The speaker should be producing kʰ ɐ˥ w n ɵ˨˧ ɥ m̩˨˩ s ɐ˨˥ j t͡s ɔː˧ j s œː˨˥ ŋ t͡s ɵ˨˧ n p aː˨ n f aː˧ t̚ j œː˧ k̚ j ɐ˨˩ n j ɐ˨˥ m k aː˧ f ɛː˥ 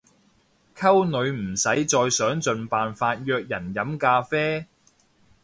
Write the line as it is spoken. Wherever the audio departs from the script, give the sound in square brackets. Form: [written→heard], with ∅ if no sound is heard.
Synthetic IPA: kʰ ɐ˥ w n ɵ˨˧ ɥ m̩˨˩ s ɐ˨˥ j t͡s ɔː˧ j s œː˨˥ ŋ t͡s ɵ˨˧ n p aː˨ n f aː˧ t̚ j œː˧ k̚ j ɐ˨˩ n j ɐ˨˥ m k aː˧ f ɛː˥